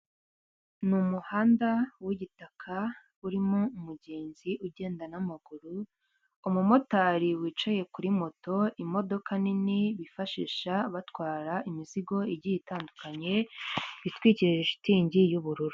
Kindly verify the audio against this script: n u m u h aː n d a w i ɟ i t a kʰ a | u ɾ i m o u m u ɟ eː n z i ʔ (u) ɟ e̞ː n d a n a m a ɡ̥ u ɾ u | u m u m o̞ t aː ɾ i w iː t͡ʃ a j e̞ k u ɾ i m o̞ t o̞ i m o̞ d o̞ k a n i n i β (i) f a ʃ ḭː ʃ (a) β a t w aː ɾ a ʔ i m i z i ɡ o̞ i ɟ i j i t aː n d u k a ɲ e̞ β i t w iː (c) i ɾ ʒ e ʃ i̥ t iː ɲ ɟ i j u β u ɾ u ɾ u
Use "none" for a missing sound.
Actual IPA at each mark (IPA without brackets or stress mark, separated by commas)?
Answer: u, i, a, c